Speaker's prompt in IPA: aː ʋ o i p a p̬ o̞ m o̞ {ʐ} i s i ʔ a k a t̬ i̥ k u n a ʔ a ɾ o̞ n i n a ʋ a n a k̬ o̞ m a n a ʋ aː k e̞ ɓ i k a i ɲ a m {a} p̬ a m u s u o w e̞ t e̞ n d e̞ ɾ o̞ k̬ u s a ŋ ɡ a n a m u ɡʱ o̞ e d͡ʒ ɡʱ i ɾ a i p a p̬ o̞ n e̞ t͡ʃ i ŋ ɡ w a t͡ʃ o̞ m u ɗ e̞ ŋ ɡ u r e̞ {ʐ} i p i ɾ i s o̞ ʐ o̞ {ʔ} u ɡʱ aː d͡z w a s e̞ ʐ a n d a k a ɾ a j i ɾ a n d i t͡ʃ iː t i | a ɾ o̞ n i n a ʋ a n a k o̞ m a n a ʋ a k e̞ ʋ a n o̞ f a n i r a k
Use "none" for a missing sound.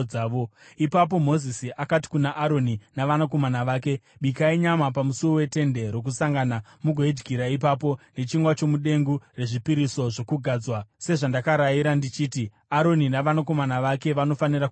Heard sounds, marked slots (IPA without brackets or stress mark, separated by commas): z, a, ʐ, k